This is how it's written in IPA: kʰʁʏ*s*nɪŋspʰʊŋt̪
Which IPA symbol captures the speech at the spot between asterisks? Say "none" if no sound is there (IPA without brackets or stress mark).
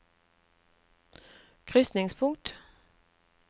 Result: s